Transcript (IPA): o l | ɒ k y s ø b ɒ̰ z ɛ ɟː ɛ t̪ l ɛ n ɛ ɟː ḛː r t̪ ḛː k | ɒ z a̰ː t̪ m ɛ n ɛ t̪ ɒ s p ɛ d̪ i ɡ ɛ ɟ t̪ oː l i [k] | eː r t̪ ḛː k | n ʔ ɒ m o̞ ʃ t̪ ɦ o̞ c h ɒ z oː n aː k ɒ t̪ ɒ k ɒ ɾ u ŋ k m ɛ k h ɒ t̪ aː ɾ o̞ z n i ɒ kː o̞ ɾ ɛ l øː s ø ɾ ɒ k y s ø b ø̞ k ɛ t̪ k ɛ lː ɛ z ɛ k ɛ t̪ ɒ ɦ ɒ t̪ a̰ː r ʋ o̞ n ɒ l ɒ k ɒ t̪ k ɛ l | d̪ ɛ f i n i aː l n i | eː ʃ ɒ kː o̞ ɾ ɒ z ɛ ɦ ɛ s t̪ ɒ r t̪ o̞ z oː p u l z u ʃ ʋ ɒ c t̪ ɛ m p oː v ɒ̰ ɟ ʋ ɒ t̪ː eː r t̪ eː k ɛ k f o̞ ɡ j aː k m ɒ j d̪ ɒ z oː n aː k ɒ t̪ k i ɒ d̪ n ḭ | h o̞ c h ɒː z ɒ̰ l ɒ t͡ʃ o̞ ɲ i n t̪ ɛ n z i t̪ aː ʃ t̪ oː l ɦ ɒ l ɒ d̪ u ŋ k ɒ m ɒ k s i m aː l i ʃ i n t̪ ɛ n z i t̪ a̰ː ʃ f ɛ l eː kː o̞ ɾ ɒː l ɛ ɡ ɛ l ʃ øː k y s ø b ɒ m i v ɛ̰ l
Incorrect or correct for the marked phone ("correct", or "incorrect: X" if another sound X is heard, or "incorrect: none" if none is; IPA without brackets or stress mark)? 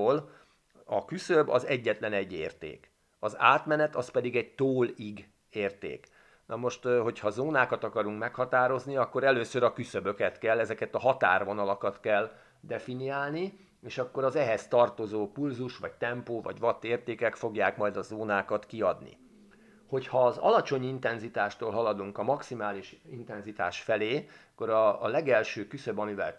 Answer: incorrect: ɡ